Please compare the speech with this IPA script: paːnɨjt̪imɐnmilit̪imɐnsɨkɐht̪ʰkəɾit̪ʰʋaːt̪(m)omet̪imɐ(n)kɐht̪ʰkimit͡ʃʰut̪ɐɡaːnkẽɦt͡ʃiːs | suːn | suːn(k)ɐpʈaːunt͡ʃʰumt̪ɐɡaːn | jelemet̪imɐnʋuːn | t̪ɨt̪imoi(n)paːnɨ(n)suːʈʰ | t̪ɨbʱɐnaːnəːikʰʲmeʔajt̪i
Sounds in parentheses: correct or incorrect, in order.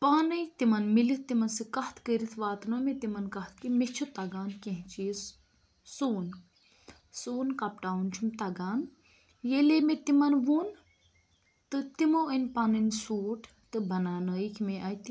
incorrect: n, correct, correct, correct, correct

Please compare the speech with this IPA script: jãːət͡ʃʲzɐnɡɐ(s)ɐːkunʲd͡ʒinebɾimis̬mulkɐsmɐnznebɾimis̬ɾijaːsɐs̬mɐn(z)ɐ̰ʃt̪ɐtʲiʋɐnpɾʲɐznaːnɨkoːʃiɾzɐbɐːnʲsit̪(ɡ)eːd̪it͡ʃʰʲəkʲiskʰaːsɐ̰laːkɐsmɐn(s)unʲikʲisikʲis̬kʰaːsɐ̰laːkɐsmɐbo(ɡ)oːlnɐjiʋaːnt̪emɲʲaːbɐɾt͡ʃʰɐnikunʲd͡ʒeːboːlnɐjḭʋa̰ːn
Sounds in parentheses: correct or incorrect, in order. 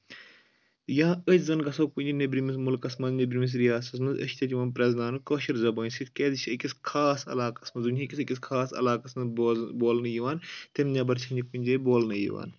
correct, correct, incorrect: k, incorrect: z, incorrect: b

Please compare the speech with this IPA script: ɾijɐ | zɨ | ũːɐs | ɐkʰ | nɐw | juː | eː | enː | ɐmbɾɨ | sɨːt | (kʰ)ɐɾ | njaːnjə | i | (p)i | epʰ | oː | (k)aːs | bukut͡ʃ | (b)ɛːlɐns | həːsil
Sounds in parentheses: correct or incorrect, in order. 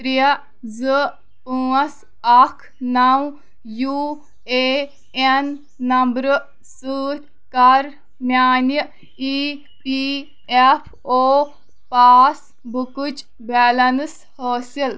incorrect: k, correct, incorrect: p, correct

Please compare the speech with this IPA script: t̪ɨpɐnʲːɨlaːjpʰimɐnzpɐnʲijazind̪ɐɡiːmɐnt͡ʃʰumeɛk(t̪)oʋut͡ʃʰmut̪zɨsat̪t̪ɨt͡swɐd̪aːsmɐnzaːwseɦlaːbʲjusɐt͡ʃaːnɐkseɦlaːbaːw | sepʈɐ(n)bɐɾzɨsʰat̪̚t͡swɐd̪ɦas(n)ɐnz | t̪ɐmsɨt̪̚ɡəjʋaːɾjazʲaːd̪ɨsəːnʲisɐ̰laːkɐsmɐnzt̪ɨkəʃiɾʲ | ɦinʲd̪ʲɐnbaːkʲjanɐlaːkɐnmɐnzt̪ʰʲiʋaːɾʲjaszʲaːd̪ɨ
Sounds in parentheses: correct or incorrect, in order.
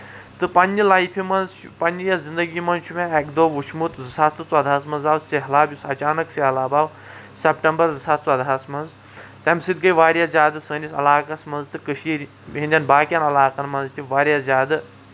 incorrect: d̪, incorrect: m, incorrect: m

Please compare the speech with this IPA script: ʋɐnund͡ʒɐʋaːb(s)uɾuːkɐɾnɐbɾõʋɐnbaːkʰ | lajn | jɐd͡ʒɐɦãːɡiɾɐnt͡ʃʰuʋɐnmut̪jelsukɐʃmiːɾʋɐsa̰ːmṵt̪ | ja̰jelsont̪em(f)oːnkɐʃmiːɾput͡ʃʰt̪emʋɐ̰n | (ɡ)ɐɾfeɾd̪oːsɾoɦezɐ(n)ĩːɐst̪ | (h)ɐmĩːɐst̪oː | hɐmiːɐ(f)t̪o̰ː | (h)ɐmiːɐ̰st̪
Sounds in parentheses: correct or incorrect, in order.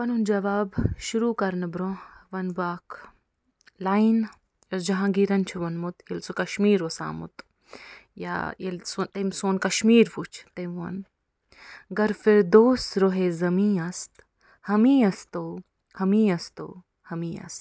incorrect: ʃ, incorrect: s, correct, incorrect: m, correct, incorrect: s, correct

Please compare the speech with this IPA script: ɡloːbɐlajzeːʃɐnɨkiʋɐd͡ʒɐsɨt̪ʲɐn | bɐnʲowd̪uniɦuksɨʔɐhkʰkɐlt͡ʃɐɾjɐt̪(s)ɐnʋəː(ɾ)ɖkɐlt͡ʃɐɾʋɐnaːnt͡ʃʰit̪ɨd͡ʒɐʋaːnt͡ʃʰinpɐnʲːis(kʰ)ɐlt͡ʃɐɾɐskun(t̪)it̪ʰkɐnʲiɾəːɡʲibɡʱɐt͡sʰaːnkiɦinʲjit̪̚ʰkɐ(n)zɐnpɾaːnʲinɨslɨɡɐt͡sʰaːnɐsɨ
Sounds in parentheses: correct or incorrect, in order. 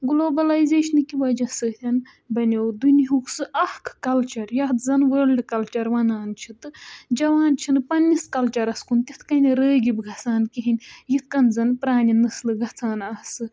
incorrect: z, incorrect: l, incorrect: k, correct, correct

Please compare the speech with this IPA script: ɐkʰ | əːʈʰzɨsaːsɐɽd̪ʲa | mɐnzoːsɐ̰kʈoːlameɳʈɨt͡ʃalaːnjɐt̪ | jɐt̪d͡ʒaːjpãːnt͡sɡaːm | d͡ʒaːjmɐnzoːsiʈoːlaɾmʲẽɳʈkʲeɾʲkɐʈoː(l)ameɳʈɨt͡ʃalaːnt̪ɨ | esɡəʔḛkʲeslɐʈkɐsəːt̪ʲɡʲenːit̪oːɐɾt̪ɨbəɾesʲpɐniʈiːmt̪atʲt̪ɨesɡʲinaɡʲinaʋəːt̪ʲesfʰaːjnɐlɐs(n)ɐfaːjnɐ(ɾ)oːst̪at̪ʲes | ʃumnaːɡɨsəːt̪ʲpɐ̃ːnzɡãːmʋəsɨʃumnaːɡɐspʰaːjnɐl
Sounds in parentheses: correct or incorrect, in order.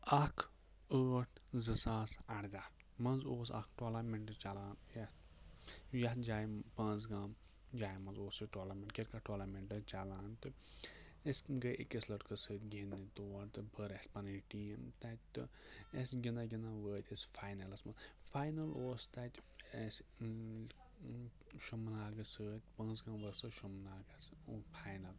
correct, incorrect: m, incorrect: l

